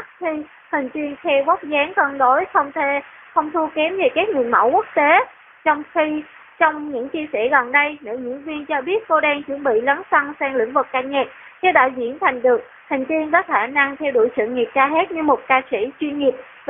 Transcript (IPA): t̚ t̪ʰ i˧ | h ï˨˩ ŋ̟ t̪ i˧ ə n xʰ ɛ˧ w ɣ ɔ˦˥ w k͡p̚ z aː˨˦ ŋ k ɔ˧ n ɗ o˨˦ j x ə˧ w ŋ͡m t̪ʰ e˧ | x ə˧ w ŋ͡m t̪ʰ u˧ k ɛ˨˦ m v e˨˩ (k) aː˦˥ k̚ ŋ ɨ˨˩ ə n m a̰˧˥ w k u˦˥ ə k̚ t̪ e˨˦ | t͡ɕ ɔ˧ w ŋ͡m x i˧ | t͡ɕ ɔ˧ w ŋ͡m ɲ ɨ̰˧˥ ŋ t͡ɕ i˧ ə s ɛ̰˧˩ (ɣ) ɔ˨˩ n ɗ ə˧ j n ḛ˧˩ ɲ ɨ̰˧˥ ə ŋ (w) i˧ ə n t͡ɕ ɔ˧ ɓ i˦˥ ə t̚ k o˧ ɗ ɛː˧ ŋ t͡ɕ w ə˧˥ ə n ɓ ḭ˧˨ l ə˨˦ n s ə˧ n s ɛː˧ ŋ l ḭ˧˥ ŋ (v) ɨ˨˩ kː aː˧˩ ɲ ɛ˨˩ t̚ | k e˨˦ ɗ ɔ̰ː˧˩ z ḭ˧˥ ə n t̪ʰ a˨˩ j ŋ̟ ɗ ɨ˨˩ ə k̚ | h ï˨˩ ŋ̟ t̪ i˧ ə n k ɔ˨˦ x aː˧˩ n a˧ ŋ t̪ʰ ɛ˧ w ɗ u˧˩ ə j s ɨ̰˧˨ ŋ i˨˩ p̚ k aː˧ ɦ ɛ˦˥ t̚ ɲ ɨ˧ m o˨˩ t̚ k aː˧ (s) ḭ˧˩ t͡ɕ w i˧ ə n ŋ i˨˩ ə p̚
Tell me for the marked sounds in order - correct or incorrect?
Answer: correct, correct, incorrect, correct, correct

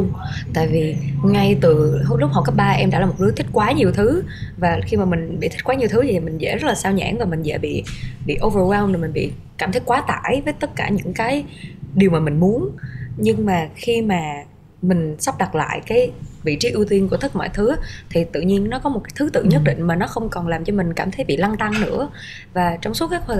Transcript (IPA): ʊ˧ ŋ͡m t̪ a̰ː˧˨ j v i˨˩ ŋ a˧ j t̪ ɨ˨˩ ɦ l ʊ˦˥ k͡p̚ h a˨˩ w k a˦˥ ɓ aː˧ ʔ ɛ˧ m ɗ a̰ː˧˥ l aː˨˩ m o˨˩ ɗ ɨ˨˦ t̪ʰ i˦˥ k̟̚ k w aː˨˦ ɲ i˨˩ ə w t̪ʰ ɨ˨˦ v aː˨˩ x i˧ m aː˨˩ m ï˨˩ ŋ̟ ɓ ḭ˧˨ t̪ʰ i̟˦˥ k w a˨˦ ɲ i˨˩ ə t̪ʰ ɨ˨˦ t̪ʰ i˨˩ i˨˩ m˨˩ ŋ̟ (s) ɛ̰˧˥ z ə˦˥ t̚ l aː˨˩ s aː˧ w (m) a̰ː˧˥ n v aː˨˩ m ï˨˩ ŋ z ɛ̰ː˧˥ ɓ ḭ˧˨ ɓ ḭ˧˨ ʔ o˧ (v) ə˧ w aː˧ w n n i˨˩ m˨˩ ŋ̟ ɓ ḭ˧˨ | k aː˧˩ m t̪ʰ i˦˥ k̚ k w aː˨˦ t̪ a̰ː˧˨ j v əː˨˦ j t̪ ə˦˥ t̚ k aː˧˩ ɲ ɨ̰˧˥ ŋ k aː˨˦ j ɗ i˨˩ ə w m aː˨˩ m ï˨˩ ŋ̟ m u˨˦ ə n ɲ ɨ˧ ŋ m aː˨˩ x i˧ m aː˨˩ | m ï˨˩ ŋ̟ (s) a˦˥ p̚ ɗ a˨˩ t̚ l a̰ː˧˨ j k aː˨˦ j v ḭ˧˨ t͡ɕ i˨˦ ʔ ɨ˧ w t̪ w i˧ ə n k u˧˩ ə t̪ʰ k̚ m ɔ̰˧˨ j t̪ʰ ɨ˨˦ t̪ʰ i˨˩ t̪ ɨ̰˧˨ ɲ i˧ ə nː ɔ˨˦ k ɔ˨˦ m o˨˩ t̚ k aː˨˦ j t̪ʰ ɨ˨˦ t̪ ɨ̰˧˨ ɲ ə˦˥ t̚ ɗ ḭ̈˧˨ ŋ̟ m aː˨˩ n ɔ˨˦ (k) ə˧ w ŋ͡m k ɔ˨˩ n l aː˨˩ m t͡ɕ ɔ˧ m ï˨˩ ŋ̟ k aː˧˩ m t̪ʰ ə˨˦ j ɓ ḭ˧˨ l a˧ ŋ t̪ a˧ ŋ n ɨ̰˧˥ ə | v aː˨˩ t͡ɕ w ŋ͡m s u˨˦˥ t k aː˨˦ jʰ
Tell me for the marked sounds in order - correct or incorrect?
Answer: incorrect, incorrect, correct, correct, incorrect

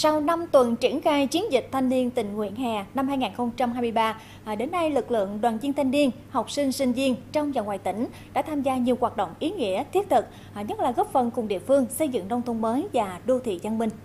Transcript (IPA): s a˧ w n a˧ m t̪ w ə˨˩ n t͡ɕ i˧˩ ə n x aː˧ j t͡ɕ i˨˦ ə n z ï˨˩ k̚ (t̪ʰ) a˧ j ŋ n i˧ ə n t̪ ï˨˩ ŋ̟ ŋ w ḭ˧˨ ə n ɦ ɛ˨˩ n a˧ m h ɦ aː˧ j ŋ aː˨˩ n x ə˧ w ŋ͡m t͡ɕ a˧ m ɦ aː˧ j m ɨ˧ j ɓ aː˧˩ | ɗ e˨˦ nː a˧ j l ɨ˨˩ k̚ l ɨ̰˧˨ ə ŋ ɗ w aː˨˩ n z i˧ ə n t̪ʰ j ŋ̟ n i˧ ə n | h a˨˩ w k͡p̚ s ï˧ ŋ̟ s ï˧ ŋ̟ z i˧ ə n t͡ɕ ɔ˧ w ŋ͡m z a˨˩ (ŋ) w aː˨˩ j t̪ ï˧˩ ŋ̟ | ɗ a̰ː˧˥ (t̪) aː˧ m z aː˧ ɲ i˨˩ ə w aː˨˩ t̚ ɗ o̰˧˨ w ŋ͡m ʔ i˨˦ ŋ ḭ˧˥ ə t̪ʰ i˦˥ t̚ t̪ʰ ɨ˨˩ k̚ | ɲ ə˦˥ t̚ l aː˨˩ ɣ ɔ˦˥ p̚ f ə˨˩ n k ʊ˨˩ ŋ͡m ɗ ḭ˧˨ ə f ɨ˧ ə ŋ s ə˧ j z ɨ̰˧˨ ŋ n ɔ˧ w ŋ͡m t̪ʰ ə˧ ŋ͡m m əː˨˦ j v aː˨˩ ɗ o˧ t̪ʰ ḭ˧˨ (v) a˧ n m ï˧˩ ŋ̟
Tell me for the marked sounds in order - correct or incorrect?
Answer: correct, correct, incorrect, incorrect

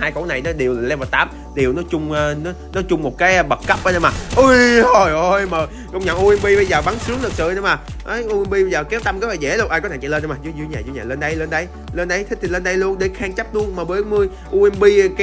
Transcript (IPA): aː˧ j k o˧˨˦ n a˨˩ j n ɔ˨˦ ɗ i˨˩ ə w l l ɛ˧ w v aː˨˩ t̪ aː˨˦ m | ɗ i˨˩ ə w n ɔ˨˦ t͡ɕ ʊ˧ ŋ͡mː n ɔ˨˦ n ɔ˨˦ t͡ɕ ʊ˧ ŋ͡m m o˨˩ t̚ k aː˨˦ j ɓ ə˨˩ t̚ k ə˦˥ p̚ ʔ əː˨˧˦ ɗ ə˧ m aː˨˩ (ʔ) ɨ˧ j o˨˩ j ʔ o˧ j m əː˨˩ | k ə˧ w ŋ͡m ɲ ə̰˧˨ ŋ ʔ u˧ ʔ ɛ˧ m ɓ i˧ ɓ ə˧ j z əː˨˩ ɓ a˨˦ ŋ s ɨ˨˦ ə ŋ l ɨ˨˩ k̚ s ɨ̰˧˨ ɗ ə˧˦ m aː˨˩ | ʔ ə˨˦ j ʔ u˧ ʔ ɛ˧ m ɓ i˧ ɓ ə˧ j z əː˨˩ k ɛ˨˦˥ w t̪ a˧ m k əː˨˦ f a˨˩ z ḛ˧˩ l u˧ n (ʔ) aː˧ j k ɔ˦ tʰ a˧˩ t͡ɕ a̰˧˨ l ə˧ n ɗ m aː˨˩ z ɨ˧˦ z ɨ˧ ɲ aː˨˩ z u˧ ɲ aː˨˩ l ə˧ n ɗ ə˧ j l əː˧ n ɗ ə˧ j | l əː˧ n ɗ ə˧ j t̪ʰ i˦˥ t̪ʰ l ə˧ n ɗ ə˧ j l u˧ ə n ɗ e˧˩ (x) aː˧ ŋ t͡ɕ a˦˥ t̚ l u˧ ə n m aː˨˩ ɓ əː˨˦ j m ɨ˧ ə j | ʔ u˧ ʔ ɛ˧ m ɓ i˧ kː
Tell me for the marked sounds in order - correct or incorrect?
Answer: correct, correct, correct

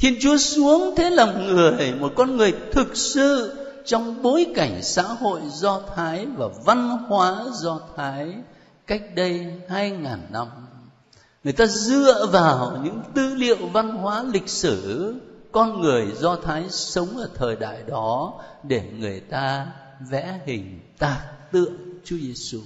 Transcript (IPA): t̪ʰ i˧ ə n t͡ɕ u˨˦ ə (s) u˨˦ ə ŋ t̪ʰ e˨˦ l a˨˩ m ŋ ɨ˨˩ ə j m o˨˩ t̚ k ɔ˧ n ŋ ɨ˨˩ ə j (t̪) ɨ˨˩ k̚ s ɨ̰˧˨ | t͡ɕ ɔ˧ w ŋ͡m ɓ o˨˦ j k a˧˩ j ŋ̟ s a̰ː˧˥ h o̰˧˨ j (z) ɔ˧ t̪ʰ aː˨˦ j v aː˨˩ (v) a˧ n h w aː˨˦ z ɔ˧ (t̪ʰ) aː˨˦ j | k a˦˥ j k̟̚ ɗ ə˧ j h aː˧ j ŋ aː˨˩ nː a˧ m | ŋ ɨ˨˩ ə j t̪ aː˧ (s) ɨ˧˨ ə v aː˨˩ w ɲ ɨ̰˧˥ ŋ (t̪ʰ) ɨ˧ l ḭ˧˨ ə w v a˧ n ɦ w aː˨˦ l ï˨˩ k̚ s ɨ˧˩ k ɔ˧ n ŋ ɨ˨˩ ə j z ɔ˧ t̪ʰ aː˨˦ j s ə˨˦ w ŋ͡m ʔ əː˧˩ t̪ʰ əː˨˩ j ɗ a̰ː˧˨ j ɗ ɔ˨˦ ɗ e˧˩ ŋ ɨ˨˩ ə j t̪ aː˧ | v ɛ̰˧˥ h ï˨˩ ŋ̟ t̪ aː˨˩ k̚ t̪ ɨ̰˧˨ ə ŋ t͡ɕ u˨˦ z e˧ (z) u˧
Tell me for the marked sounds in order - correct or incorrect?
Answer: correct, incorrect, correct, correct, correct, incorrect, incorrect, incorrect

